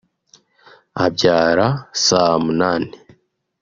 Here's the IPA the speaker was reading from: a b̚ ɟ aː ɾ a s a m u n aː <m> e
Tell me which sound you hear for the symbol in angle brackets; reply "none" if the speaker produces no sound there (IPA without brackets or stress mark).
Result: n